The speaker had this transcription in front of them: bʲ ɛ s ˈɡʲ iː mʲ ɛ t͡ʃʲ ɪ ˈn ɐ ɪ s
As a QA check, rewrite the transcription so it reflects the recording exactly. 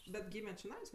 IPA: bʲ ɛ t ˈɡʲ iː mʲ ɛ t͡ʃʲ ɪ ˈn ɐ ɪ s